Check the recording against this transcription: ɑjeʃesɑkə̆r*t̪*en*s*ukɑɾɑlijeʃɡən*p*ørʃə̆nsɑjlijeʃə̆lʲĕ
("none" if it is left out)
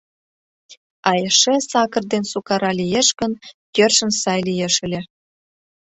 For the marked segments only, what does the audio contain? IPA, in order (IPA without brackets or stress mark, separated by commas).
d̪, s, k